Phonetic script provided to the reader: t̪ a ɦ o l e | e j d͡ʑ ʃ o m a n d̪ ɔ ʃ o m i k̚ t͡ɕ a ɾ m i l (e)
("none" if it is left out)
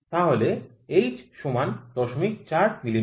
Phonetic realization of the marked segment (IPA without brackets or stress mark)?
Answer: i